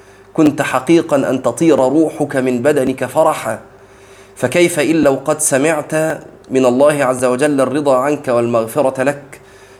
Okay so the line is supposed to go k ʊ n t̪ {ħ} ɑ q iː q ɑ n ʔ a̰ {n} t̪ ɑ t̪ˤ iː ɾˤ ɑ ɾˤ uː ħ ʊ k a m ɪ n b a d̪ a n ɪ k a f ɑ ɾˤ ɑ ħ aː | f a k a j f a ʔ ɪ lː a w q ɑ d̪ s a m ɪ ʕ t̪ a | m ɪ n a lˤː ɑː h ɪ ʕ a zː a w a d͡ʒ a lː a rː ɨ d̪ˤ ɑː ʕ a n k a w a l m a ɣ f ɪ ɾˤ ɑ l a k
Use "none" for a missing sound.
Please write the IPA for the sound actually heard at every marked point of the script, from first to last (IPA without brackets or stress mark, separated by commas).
ħ, n